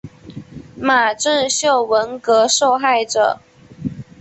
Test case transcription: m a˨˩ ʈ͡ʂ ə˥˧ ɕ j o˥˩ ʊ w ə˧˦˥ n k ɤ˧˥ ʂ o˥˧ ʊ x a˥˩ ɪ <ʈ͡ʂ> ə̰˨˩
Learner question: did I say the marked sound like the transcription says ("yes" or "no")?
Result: yes